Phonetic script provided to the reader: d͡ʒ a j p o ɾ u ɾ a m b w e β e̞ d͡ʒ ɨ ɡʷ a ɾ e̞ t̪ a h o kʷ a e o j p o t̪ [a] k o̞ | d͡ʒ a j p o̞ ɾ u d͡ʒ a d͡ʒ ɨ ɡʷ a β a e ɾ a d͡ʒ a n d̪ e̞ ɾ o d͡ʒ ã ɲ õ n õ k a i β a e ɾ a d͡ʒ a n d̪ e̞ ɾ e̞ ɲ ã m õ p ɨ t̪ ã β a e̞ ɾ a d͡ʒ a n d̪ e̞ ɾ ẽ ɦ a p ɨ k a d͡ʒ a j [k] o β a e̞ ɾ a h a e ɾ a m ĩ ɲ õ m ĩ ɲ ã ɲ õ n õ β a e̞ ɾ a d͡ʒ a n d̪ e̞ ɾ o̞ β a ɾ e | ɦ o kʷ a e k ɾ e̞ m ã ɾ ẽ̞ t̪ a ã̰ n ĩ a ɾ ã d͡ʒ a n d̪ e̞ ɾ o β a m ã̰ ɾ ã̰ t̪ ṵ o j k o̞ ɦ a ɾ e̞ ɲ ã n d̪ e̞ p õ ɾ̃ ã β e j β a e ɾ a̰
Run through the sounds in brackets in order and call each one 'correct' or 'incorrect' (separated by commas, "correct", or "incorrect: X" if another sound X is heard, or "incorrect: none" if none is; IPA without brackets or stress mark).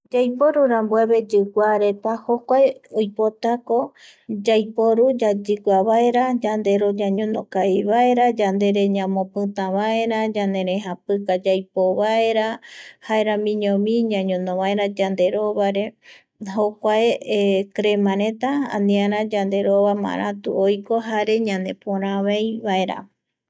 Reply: correct, incorrect: p